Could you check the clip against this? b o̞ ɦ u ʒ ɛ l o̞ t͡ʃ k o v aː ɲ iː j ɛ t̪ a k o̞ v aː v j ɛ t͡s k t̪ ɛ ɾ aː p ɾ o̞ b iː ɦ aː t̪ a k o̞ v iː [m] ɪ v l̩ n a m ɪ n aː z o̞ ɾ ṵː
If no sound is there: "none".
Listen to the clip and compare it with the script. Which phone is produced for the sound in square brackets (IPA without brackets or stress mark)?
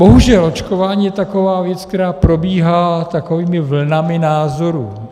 m